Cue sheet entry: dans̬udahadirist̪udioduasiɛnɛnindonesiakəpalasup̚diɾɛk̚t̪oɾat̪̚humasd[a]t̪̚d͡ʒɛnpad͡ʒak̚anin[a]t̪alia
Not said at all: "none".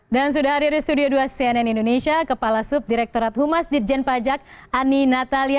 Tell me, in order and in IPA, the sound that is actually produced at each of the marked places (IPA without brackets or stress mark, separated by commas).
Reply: i, a